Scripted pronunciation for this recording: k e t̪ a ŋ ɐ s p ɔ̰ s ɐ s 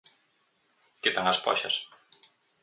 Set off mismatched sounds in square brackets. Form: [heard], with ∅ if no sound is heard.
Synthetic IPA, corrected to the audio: k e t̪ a ŋ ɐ s p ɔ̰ [ʃ] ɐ s